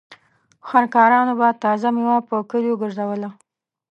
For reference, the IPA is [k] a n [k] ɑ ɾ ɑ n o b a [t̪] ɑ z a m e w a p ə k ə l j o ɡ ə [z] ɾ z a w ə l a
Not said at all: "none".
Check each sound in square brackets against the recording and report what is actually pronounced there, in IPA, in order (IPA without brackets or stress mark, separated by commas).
x, k, t̪, none